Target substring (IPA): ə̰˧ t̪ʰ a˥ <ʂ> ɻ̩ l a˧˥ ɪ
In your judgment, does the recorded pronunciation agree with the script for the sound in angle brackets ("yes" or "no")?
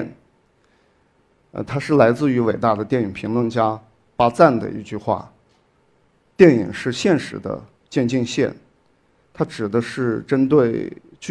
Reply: yes